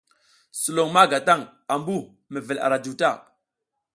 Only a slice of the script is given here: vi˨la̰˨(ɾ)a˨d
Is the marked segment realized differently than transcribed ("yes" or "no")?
no